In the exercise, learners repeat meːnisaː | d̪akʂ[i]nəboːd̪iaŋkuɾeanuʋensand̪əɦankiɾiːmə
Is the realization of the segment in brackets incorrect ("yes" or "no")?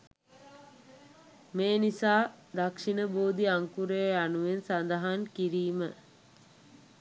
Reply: no